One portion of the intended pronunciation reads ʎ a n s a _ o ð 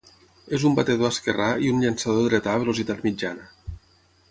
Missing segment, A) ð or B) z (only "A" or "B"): A